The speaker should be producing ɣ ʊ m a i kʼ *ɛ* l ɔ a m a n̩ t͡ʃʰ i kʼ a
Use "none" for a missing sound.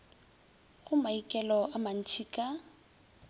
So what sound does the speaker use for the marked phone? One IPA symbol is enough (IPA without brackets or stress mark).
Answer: ɛ